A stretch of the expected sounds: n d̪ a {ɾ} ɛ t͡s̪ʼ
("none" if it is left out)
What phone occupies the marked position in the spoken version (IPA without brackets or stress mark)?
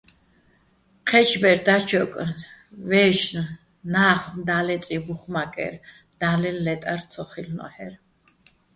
l